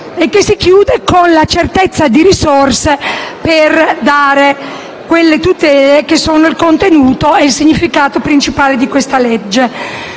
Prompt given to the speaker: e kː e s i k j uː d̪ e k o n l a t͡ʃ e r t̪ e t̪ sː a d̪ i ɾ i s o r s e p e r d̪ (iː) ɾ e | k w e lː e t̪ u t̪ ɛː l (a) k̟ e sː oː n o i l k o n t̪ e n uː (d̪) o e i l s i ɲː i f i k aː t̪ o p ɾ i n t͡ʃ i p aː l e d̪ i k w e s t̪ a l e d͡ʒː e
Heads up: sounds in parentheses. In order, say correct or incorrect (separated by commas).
incorrect, incorrect, incorrect